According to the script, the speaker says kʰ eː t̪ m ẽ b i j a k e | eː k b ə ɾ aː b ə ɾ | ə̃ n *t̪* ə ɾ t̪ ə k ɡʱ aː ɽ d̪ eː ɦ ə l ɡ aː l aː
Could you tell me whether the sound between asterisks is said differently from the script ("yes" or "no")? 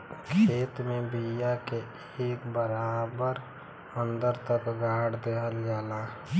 yes